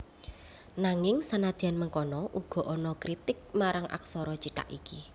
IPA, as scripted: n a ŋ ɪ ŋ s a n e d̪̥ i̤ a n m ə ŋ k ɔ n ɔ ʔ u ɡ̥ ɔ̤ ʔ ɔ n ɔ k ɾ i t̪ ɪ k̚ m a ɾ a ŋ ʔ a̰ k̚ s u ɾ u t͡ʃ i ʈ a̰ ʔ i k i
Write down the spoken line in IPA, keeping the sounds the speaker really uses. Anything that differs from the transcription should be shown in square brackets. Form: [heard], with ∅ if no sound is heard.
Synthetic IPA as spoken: n a ŋ ɪ ŋ s a n [a] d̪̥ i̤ a n m ə ŋ k ɔ n ɔ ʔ u ɡ̥ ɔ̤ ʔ ɔ n ɔ k ɾ i t̪ ɪ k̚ m a ɾ a ŋ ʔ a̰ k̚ s [ɔ] ɾ [ɔ] t͡ʃ i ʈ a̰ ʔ i k i